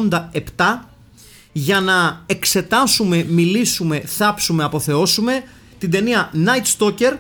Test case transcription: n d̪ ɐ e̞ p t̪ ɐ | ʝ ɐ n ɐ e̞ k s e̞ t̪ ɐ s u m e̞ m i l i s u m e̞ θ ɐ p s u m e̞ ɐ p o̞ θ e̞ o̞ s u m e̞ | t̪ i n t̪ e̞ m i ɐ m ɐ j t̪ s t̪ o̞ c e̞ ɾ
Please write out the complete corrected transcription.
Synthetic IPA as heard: n d̪ ɐ e̞ p t̪ ɐ | ʝ ɐ n ɐ e̞ k s e̞ t̪ ɐ s u m e̞ m i l i s u m e̞ θ ɐ p s u m e̞ ɐ p o̞ θ e̞ o̞ s u m e̞ | t̪ i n d̪ e̞ n i ɐ n ɐ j t̪ s t̪ o̞ c e̞ ɾ